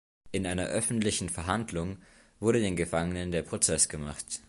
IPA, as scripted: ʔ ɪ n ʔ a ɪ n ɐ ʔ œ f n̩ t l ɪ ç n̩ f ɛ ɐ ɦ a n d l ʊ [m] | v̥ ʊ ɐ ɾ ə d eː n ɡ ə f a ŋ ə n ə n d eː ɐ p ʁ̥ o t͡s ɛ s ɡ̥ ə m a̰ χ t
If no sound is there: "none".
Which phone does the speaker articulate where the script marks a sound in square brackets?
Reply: ŋ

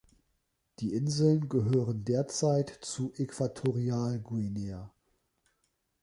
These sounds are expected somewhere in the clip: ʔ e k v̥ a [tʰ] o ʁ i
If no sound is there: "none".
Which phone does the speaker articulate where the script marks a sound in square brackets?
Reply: tʰ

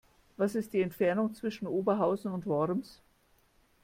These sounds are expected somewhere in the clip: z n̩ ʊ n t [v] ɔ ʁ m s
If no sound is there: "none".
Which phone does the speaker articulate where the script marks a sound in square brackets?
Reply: v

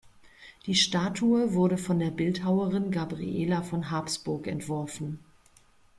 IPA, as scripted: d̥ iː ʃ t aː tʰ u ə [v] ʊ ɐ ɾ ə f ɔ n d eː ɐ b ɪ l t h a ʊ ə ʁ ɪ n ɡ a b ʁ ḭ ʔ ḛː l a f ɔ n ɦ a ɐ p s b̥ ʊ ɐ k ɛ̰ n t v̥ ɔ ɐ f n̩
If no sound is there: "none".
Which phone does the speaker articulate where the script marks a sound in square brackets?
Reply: v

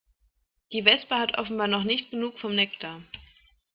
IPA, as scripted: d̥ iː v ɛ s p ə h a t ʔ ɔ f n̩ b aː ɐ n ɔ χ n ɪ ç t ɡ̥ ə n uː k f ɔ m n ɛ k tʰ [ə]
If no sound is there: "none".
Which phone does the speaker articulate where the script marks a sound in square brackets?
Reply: a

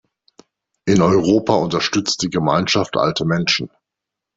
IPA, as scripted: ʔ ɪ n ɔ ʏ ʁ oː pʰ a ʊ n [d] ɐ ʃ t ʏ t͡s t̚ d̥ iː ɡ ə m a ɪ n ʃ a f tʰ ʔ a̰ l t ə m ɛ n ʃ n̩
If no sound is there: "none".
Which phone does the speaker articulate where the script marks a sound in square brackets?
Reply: t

